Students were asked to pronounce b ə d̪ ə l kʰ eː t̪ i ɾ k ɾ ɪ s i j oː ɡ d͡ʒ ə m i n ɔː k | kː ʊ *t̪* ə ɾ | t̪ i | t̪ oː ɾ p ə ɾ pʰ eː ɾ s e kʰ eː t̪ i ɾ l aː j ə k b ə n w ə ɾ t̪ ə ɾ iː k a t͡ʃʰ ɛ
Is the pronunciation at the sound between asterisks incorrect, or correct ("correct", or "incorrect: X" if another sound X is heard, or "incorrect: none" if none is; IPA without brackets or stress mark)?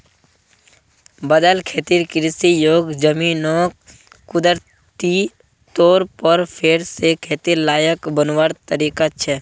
incorrect: d̪